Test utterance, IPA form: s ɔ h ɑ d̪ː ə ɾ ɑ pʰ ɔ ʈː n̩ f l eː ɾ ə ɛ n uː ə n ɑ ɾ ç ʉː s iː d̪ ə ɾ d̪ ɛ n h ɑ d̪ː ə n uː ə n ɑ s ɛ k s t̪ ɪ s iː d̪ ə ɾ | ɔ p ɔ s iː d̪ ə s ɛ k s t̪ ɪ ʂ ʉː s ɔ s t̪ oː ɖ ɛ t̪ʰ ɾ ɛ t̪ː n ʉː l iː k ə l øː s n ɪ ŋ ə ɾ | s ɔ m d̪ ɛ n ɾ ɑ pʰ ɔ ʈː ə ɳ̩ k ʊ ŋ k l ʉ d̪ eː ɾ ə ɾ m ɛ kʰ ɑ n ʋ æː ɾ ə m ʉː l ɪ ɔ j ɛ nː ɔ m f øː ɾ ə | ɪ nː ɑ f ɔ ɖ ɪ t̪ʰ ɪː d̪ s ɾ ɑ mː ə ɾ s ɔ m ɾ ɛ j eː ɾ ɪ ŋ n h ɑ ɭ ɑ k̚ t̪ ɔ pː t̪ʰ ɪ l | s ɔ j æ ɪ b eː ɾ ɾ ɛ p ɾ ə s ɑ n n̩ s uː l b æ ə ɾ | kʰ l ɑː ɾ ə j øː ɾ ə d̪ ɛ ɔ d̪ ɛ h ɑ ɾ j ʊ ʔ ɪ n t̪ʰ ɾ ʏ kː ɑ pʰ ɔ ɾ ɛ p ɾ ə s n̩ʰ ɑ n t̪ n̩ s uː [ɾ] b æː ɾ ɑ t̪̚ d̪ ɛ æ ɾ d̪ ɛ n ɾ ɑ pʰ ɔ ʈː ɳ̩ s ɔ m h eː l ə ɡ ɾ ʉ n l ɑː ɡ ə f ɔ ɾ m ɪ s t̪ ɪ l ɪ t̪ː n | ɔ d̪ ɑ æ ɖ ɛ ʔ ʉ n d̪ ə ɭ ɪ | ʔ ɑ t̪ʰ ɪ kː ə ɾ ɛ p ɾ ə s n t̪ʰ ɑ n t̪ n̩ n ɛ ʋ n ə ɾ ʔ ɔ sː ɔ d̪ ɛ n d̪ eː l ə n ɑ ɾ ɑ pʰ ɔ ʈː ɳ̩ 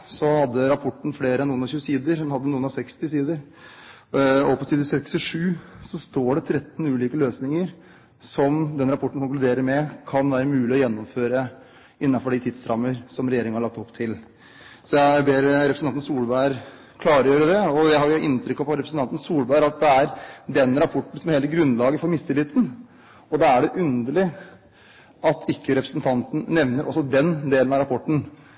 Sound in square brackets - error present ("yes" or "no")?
yes